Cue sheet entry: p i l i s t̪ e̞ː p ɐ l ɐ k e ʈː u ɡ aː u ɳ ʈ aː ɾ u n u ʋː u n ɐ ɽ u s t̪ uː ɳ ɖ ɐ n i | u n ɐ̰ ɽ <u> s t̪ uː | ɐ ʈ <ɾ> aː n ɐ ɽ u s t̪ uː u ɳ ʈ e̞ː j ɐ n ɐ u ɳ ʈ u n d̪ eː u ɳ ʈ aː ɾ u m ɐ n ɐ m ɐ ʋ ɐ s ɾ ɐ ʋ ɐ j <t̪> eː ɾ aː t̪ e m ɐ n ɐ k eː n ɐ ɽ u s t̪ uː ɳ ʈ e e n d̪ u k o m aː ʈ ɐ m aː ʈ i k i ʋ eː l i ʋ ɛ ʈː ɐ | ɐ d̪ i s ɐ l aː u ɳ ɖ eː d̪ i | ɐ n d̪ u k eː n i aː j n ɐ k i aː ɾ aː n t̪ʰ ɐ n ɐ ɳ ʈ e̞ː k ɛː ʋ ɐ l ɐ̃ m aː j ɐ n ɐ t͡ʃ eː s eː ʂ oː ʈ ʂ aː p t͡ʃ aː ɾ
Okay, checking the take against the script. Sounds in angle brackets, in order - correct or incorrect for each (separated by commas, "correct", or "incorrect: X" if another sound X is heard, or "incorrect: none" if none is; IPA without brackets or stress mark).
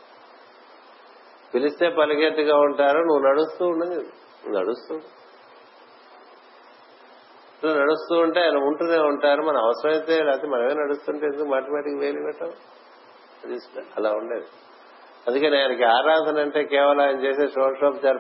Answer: correct, incorrect: l, correct